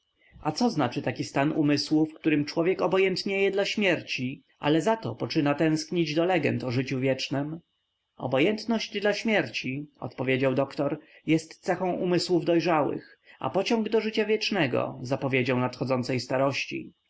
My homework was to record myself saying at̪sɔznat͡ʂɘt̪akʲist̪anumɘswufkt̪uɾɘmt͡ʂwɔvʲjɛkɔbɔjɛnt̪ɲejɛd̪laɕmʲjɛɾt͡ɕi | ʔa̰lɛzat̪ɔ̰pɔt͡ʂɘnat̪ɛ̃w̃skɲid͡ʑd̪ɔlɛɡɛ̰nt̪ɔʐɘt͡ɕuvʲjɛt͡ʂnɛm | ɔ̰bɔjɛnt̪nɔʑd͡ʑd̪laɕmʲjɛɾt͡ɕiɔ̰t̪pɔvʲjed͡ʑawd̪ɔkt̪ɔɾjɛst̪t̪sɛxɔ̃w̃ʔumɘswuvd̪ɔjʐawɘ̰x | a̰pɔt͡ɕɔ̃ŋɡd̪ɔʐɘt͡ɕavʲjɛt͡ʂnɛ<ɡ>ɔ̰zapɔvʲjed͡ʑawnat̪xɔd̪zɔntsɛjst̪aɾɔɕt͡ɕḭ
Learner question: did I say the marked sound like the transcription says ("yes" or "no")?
yes